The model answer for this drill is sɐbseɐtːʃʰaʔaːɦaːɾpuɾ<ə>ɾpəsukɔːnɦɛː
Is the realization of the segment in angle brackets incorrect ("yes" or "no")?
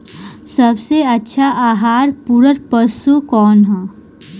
no